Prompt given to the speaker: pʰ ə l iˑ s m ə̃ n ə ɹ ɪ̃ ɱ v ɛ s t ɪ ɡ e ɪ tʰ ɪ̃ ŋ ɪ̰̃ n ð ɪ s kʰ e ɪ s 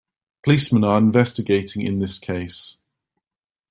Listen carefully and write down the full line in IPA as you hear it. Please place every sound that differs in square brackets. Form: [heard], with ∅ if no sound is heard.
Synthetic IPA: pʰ ə l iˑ s m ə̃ n ə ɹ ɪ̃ ɱ v ɛ s t ɪ ɡ e ɪ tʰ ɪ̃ ŋ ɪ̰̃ n ð ɪ s kʰ e ɪ s